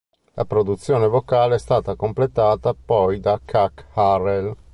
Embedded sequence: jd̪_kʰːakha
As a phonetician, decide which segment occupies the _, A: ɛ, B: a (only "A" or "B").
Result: B